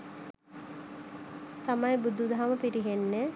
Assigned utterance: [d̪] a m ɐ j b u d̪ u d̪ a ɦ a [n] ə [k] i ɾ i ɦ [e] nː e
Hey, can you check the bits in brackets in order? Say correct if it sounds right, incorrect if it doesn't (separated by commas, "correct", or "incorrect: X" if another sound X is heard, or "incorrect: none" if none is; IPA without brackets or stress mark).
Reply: incorrect: t̪, incorrect: m, incorrect: p, correct